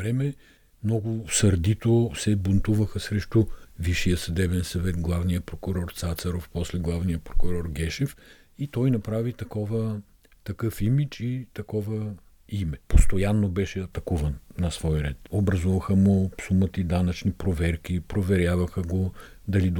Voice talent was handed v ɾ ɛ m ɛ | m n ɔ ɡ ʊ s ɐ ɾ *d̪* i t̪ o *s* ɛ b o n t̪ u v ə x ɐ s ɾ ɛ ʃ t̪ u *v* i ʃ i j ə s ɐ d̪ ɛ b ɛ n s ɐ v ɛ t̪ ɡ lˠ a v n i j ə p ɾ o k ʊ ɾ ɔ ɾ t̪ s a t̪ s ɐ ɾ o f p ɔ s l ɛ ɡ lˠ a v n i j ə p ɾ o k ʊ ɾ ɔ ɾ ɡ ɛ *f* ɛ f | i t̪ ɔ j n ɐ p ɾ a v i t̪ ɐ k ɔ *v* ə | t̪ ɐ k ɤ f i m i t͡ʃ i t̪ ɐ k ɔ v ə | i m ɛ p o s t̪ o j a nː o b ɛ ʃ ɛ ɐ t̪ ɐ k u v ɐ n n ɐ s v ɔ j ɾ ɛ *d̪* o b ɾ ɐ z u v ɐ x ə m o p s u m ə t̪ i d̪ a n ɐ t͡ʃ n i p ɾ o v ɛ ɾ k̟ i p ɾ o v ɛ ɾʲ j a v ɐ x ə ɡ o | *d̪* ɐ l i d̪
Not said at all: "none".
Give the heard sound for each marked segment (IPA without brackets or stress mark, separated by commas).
d̪, s, v, ʃ, v, t̪, d̪